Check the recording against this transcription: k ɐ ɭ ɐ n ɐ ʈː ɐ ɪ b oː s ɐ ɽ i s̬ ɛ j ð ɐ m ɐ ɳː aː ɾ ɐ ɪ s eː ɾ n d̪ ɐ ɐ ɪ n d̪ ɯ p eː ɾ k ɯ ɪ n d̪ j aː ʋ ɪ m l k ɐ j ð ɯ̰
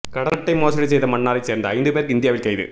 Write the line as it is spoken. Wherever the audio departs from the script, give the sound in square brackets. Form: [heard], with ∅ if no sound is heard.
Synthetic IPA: k ɐ [ɽ] ɐ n ɐ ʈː ɐ ɪ [m] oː s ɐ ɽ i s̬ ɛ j ð ɐ m ɐ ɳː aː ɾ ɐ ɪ s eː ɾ n d̪ ɐ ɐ ɪ n d̪ ɯ p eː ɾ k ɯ ɪ n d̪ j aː ʋ ɪ [∅] l k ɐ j ð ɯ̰